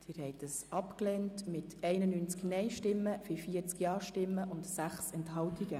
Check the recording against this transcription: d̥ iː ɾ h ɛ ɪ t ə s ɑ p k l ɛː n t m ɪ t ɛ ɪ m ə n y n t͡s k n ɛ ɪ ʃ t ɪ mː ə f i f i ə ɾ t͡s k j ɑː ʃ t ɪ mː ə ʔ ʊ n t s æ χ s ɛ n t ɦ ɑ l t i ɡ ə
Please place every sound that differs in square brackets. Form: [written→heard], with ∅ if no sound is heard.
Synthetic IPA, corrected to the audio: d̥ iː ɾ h ɛ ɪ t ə s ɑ p k l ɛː n t m ɪ t ɛ ɪ [m→n] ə n y n t͡s k n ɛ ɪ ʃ t ɪ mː ə f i f i ə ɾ t͡s k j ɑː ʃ t ɪ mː ə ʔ ʊ n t s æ χ s ɛ n t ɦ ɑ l t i ɡ ə